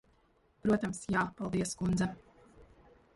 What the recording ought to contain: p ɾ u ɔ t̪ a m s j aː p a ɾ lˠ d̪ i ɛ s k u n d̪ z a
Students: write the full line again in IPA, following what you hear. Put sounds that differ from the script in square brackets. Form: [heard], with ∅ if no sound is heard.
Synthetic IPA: p ɾ u ɔ t̪ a m s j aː p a [∅] lˠ d̪ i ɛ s k u n d̪ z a